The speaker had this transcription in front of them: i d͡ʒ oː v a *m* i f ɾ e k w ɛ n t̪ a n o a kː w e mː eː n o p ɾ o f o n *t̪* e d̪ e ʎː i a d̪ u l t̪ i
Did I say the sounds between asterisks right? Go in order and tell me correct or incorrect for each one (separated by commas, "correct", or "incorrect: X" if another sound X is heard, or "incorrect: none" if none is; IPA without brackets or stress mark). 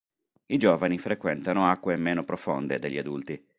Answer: incorrect: n, incorrect: d̪